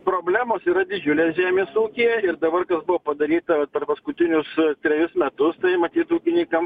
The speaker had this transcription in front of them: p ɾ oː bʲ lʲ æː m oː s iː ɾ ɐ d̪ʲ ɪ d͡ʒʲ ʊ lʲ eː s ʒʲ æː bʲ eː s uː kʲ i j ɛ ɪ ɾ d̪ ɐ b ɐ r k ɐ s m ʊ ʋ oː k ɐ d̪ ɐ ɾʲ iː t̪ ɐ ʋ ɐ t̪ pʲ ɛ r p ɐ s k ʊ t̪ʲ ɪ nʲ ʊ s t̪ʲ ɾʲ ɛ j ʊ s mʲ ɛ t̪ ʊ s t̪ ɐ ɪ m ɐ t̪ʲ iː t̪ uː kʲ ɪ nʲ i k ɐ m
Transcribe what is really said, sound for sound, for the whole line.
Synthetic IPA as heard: p ɾ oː bʲ lʲ æː m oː s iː ɾ ɐ d̪ʲ ɪ d͡ʒʲ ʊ lʲ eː s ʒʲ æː mʲ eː s uː kʲ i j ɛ ɪ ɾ d̪ ɐ b ɐ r k ɐ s b ʊ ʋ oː p ɐ d̪ ɐ ɾʲ iː t̪ ɐ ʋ ɐ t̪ pʲ ɛ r p ɐ s k ʊ t̪ʲ ɪ nʲ ʊ s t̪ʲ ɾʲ ɛ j ʊ s mʲ ɛ t̪ ʊ s t̪ ɐ ɪ m ɐ t̪ʲ iː t̪ uː kʲ ɪ nʲ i k ɐ m

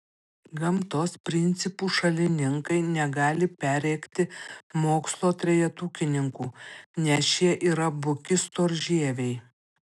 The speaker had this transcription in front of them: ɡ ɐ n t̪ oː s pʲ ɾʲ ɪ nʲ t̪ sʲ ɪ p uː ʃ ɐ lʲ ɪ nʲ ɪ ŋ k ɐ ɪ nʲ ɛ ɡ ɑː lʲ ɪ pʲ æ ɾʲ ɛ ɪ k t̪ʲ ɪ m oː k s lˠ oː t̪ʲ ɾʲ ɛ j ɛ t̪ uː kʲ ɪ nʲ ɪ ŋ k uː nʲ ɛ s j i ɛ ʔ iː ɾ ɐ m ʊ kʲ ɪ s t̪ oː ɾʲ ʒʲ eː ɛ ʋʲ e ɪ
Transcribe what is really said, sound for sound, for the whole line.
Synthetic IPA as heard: ɡ ɐ m t̪ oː s pʲ ɾʲ ɪ nʲ t̪ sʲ ɪ p uː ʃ ɐ lʲ ɪ nʲ ɪ ŋ k ɐ ɪ nʲ ɛ ɡ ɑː lʲ ɪ pʲ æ ɾʲ ɛ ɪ k t̪ʲ ɪ m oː k s lˠ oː t̪ʲ ɾʲ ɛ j ɛ t̪ uː kʲ ɪ nʲ ɪ ŋ k uː nʲ ɛ s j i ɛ ʔ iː ɾ ɐ b ʊ kʲ ɪ s t̪ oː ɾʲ ʒʲ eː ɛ ʋʲ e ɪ

